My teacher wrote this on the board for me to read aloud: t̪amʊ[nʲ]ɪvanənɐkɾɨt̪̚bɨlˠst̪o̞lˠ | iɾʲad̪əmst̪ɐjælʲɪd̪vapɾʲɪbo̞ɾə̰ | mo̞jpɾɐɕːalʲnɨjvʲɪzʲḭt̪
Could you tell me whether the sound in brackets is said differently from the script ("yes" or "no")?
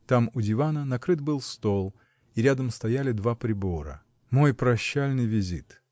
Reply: yes